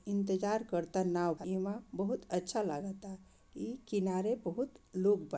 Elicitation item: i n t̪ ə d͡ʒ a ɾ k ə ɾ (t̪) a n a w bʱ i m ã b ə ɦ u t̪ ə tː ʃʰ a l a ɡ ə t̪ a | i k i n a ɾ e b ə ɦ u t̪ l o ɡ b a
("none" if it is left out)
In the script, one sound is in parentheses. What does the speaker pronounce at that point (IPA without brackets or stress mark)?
t̪